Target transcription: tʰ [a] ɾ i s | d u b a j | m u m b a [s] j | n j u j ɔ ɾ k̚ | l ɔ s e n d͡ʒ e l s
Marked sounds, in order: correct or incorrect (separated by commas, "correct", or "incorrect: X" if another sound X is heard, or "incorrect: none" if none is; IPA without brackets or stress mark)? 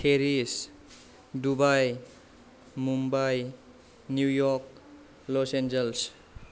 incorrect: e, incorrect: none